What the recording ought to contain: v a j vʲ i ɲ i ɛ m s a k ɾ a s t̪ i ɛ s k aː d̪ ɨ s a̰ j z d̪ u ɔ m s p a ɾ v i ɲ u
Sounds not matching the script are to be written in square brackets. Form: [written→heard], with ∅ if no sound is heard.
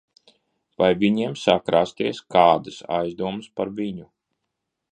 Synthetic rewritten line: v a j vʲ i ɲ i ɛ m s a k ɾ a s t̪ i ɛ s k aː d̪ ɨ s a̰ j z d̪ u ɔ m s p a ɾ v i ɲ u